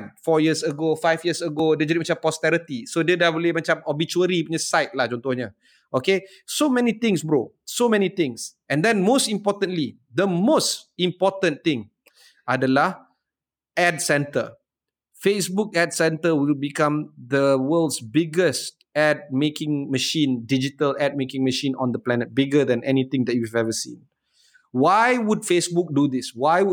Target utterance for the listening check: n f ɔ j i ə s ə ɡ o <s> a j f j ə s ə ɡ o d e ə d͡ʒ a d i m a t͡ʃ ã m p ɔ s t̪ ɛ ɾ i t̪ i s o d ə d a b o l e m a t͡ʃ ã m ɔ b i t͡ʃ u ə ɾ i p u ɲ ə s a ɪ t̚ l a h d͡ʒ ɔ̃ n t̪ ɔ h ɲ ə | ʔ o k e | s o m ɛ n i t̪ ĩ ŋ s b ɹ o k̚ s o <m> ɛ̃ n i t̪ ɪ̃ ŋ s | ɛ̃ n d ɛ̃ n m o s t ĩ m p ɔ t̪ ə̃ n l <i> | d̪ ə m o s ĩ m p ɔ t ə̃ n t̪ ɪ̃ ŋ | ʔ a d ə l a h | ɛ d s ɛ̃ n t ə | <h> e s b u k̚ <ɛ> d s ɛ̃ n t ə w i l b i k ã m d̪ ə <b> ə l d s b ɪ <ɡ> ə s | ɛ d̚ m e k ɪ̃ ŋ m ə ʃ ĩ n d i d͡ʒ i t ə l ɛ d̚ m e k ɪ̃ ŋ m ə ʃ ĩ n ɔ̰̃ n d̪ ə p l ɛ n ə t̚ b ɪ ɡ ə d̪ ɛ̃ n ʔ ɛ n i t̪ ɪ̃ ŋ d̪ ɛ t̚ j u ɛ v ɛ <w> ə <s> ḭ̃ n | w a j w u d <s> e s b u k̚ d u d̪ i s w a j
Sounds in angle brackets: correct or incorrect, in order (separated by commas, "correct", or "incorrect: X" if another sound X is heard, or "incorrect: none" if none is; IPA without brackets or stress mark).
incorrect: f, correct, correct, incorrect: f, correct, incorrect: w, correct, incorrect: v, correct, incorrect: f